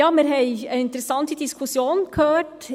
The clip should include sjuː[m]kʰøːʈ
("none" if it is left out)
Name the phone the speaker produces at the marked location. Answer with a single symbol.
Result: n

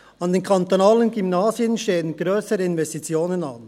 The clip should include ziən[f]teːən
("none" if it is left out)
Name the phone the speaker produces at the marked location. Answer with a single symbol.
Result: ʃ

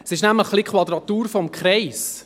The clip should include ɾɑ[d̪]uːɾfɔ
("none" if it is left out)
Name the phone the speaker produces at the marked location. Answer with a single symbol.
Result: t̪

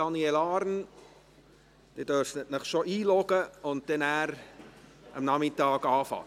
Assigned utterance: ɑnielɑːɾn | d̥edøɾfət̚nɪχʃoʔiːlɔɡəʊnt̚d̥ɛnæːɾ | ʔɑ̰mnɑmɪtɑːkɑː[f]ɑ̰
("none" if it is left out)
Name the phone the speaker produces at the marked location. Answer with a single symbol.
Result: f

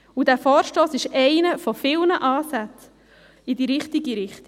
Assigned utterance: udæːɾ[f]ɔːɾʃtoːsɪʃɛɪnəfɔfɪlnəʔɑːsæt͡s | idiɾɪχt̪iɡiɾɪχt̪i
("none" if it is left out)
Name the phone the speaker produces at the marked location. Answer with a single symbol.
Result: f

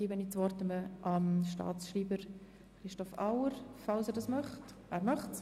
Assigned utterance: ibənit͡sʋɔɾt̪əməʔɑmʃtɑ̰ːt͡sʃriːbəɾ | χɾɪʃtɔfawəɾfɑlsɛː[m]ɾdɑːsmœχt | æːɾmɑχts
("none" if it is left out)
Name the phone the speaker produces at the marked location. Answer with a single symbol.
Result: none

